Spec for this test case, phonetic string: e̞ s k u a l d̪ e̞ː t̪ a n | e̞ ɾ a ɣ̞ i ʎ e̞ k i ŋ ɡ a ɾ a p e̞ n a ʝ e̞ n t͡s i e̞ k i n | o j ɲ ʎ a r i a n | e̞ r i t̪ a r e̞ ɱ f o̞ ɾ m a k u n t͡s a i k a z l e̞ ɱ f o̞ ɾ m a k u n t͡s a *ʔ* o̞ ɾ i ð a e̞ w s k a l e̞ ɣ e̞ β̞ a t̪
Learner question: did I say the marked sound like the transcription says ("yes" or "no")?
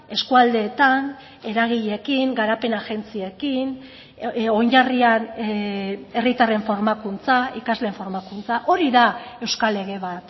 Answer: yes